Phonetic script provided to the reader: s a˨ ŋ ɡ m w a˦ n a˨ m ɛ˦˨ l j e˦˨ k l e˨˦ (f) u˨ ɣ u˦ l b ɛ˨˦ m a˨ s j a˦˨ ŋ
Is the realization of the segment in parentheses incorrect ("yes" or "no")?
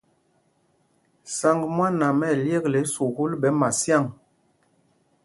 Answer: yes